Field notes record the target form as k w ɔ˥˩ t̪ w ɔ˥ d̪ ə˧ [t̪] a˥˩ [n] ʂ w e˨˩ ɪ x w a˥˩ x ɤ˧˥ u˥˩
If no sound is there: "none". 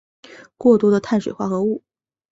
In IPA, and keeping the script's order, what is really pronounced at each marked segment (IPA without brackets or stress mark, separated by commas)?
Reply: t̪ʰ, n